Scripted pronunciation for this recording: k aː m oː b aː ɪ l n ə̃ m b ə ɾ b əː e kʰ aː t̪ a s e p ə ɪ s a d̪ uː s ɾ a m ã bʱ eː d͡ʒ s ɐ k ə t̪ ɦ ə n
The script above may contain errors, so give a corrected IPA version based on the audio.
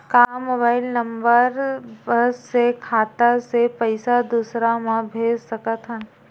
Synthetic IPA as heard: k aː m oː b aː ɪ l n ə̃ m b ə ɾ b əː e kʰ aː t̪ a s e p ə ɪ s a d̪ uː s ɾ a m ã bʱ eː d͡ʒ s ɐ k ə t̪ ɦ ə n

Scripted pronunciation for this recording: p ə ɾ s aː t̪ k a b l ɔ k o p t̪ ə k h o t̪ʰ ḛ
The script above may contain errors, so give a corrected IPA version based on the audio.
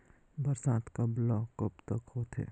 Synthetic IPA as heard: b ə ɾ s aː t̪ k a b l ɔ k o p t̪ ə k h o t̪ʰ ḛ

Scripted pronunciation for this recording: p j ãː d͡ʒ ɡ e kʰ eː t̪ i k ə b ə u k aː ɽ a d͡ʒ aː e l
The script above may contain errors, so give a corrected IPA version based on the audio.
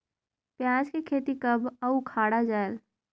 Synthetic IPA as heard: p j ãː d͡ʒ k e kʰ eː t̪ i k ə b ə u kʰ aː ɽ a d͡ʒ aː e l

